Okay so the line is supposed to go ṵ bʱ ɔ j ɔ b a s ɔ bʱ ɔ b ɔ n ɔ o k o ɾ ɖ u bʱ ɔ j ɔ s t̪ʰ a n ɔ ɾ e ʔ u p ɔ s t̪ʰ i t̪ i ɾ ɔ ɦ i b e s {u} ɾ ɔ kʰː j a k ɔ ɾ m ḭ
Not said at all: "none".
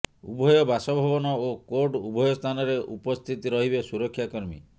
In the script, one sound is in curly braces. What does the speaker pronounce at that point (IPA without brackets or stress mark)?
u